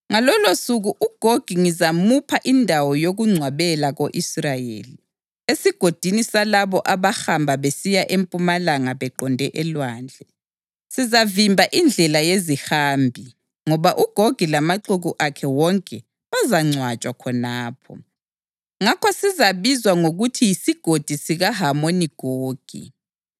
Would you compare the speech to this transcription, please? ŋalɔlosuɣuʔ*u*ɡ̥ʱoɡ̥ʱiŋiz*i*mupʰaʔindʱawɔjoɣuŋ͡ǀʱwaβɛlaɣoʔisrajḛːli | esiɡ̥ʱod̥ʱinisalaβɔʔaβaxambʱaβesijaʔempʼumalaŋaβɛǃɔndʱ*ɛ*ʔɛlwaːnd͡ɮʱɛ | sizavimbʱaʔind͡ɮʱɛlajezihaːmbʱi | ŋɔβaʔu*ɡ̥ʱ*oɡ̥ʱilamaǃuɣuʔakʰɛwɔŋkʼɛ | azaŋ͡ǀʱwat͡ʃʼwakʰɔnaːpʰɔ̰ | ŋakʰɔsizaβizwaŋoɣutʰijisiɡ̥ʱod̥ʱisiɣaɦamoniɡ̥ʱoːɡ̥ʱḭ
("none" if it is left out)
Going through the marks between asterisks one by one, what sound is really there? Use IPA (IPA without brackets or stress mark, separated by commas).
u, a, ɛ, ɡ̥ʱ